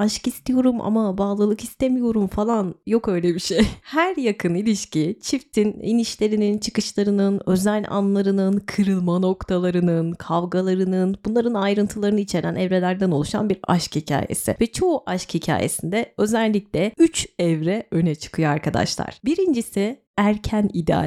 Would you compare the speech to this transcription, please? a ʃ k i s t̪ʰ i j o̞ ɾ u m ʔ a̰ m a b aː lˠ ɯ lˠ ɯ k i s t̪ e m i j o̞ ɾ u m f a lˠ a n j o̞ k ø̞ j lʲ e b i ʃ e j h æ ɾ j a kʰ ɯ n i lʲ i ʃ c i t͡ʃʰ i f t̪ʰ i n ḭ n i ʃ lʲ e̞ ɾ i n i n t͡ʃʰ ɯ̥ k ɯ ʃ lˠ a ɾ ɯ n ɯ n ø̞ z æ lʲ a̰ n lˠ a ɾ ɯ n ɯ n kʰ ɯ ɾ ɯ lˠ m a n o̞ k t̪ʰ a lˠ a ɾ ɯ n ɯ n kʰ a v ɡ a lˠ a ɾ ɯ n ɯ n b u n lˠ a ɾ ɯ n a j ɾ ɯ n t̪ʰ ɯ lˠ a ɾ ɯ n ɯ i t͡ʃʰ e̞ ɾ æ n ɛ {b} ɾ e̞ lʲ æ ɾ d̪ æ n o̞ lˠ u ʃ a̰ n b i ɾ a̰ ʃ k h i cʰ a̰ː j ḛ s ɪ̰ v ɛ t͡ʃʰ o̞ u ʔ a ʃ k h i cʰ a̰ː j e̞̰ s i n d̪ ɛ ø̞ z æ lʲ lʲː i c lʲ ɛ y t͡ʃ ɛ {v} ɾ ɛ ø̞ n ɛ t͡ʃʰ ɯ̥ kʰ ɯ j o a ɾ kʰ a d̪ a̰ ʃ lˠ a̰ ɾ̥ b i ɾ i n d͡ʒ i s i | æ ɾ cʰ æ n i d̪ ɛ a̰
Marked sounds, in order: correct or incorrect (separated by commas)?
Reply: incorrect, correct